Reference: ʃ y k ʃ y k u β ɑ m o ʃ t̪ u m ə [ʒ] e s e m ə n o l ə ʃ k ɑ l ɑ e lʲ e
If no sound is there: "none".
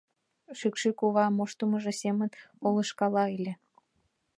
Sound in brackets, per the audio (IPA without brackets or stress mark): ʒ